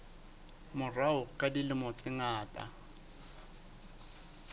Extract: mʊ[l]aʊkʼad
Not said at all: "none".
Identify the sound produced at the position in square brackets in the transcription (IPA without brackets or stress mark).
r